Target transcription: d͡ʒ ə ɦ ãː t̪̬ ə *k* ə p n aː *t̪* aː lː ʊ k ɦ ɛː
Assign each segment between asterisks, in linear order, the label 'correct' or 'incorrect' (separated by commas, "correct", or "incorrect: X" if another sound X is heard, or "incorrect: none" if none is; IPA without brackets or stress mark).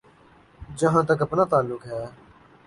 correct, correct